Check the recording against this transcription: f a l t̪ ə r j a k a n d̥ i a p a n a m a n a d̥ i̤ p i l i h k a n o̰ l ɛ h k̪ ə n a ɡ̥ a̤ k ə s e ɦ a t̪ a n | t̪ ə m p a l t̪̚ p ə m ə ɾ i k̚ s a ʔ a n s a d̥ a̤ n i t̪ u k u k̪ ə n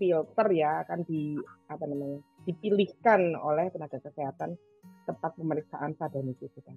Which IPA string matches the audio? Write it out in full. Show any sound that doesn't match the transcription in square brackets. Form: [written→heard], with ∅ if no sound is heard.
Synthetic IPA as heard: f [a→i] l t̪ ə r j a k a n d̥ i a p a n a m a [n→ɲ] a d̥ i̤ p i l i h k a n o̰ l ɛ h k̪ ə n a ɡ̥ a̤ k ə s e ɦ a t̪ a n | t̪ ə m p a [l→∅] t̪̚ p ə m ə ɾ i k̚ s a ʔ a n s a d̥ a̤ n i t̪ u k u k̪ [ə→a] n